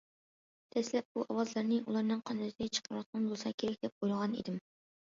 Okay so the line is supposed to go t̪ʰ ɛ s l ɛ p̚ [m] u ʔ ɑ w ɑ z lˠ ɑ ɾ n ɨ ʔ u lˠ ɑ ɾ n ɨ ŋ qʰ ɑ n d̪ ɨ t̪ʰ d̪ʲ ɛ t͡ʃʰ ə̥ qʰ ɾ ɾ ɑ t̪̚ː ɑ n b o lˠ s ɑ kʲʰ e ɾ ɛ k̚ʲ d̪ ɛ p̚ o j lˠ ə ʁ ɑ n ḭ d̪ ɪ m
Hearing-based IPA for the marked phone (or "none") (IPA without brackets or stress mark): b